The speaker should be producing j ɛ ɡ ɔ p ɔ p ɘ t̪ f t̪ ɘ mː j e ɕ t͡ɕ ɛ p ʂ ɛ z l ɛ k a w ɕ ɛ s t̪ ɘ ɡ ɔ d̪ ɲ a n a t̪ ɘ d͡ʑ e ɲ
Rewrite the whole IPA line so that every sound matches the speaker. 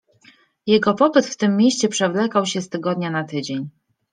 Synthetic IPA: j ɛ ɡ ɔ p ɔ p ɘ t̪ f t̪ ɘ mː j e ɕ t͡ɕ ɛ p ʂ ɛ v l ɛ k a w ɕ ɛ s t̪ ɘ ɡ ɔ d̪ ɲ a n a t̪ ɘ d͡ʑ e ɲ

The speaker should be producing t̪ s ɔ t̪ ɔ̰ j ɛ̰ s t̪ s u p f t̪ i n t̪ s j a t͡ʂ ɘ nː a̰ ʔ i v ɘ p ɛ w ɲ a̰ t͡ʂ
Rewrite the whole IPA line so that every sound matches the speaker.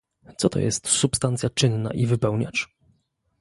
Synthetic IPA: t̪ s ɔ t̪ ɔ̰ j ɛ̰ s t̪ s u p s t̪ a n t̪ s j a t͡ʂ ɘ nː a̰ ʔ i v ɘ p ɛ w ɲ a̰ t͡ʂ

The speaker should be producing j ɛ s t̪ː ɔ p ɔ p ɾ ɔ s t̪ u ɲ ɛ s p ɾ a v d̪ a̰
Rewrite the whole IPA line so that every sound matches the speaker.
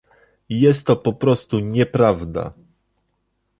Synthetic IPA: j ɛ s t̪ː ɔ p ɔ p ɾ ɔ s t̪ u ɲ ɛ p ɾ a v d̪ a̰

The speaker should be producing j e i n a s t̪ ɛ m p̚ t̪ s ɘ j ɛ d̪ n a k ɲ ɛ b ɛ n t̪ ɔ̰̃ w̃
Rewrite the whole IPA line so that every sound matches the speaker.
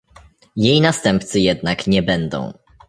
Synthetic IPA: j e j n a s t̪ ɛ m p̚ t̪ s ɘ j ɛ d̪ n a k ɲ ɛ b ɛ n d̪ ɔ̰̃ w̃

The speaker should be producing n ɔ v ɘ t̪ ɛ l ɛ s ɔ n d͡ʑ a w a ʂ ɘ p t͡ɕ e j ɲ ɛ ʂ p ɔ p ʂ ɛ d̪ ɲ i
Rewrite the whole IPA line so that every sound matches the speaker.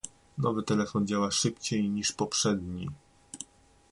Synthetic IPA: n ɔ v ɘ t̪ ɛ l ɛ f ɔ n d͡ʑ a w a ʂ ɘ p t͡ɕ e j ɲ i ʂ p ɔ p ʂ ɛ d̪ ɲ i

